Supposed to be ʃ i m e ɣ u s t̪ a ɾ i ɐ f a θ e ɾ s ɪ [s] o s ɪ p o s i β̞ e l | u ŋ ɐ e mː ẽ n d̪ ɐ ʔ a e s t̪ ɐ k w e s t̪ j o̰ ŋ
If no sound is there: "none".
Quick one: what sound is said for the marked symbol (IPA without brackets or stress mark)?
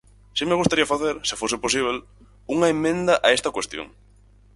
f